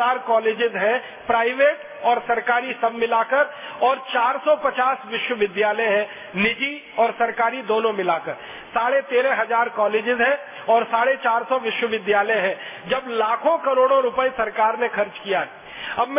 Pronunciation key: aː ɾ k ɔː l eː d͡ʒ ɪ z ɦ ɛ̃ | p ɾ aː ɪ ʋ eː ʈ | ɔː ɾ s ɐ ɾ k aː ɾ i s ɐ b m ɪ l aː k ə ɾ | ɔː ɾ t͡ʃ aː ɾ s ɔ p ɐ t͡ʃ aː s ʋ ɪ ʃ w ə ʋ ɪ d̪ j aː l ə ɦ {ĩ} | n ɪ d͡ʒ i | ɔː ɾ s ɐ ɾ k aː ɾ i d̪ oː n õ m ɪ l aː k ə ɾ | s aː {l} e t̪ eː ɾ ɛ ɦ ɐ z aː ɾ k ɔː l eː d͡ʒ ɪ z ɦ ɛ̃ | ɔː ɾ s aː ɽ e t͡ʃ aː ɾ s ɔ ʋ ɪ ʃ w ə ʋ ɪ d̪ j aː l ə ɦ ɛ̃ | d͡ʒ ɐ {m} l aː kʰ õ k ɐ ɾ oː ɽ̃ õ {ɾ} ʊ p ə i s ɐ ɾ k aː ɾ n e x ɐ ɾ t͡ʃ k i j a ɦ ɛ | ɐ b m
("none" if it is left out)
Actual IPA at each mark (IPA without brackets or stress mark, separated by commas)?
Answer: ɛ̃, ɽ, b, ɾ